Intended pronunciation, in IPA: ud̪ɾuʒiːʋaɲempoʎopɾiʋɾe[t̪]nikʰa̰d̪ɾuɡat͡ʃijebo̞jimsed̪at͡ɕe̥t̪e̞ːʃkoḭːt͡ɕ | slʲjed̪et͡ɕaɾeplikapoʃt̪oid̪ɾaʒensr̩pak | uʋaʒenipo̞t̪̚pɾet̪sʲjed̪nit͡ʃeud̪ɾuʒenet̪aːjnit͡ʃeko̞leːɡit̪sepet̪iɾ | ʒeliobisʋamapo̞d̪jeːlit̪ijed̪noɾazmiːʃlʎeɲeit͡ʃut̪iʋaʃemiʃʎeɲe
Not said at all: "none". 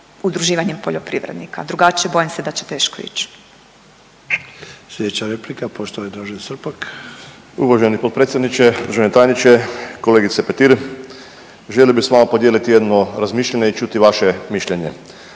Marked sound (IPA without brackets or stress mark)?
d̪